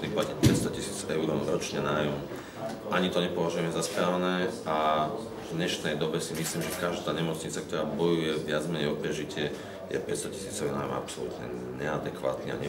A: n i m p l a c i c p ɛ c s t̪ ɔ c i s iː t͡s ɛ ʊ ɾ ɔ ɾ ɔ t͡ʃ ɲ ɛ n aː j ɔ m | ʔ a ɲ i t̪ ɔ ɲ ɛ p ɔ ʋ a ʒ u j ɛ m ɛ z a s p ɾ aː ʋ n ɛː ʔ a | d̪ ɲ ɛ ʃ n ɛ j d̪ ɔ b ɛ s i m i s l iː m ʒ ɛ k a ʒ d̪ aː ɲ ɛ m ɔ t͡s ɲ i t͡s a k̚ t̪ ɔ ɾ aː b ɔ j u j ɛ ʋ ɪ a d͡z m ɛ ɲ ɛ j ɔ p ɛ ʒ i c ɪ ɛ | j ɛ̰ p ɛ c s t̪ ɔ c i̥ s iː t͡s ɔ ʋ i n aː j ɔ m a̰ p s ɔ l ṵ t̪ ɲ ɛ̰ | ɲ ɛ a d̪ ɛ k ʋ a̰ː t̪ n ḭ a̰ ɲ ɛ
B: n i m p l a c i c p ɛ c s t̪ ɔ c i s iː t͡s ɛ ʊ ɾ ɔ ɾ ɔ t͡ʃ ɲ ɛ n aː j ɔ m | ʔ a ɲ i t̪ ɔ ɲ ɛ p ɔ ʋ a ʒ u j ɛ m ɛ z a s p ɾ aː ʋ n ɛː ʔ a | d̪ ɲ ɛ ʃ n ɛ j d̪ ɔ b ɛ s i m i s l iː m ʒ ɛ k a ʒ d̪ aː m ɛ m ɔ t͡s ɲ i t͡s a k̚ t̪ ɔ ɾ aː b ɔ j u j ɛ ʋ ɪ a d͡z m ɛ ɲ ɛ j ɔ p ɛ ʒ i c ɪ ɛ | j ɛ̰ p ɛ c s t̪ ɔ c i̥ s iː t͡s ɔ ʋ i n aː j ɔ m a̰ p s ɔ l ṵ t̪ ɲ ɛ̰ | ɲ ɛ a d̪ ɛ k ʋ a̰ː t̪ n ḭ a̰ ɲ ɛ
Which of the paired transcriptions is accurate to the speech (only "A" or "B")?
A